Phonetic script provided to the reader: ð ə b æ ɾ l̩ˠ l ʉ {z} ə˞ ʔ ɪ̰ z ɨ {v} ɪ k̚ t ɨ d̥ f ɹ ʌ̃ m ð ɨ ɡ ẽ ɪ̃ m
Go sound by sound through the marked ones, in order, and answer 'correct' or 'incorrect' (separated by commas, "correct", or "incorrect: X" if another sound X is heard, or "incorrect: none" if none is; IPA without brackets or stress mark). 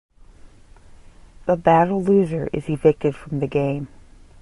correct, correct